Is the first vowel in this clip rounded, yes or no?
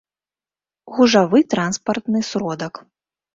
yes